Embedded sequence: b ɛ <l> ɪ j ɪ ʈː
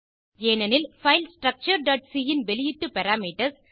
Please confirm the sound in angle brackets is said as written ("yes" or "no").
yes